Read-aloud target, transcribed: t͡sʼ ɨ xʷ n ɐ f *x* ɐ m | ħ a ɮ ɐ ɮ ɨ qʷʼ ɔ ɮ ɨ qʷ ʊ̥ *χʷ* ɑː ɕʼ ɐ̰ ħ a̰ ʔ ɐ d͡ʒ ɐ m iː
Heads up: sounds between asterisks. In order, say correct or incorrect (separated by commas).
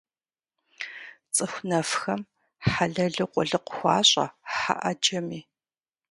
correct, incorrect